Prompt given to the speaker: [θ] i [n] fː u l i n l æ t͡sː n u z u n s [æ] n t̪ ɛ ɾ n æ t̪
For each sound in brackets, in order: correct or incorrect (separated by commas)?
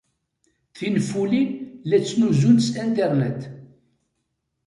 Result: correct, correct, correct